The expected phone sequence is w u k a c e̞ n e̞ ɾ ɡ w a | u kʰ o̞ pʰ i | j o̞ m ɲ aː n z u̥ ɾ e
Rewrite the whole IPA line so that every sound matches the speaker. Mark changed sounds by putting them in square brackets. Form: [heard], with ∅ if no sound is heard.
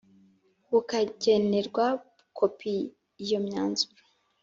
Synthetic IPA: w u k a [ɟ] e̞ n e̞ ɾ ɡ w a | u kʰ o̞ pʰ i | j o̞ m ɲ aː n z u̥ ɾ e